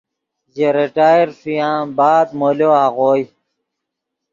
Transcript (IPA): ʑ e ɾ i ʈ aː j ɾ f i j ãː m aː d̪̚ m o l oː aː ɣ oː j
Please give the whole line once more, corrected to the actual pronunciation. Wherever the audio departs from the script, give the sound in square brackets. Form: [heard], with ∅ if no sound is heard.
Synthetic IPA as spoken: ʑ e ɾ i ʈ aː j ɾ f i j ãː [b] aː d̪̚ m o l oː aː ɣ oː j